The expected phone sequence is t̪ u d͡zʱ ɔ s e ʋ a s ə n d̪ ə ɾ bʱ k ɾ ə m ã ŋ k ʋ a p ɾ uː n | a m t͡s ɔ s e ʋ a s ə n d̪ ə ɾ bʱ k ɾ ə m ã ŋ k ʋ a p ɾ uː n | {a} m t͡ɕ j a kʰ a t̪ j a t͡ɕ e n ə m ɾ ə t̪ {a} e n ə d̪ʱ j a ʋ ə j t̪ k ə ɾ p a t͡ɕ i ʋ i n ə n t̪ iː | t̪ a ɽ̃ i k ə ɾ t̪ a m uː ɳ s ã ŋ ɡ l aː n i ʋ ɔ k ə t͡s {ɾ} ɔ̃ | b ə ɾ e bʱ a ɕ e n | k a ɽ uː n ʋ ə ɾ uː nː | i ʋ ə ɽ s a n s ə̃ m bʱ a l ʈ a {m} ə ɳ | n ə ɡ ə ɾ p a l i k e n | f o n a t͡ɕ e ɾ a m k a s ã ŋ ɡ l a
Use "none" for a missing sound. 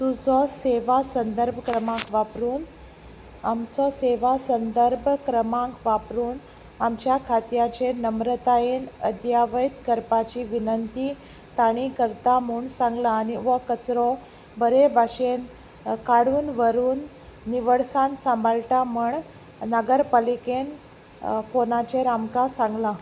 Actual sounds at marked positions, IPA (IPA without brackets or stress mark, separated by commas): a, a, ɾ, m